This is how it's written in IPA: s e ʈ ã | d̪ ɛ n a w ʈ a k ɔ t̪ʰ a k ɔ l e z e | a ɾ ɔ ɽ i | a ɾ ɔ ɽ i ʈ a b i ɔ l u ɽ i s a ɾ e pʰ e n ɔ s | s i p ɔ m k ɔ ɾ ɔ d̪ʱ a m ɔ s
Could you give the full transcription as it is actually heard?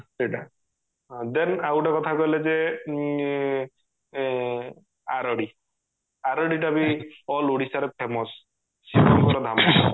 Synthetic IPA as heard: s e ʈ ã | d̪ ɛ n a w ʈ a k ɔ t̪ʰ a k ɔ l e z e | a ɾ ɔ ɽ i | a ɾ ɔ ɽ i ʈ a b i ɔ l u ɽ i s a ɾ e pʰ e m ɔ s | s i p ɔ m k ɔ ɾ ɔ d̪ʱ a m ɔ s